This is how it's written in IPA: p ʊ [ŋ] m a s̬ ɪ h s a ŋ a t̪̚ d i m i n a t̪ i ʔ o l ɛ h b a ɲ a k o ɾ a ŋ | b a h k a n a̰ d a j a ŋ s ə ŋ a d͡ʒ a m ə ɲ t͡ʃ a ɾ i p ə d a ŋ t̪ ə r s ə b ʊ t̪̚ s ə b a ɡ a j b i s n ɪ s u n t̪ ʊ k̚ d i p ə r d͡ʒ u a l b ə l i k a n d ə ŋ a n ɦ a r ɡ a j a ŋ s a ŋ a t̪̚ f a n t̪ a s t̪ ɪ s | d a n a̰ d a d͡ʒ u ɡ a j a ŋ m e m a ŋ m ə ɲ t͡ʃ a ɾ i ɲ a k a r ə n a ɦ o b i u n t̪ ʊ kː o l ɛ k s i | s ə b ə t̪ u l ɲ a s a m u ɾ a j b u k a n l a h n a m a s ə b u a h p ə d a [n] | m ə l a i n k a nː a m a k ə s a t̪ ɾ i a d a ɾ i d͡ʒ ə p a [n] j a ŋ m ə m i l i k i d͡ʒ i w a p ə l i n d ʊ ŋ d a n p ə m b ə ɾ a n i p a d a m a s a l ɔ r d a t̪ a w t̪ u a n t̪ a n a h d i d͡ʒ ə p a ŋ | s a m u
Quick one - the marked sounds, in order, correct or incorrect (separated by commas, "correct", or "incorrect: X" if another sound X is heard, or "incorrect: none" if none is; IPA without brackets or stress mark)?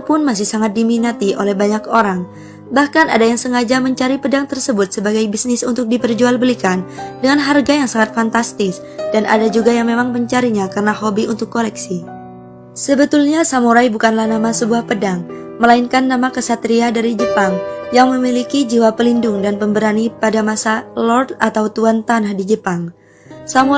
incorrect: n, incorrect: ŋ, incorrect: ŋ